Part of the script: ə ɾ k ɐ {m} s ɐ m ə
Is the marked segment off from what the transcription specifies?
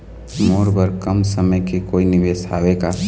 no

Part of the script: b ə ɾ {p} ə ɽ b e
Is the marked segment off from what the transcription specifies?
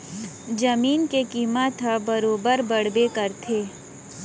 yes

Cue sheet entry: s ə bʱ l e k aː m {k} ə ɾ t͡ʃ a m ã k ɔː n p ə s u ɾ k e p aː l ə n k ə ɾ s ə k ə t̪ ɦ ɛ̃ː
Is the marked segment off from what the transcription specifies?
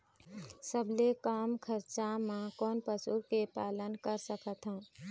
yes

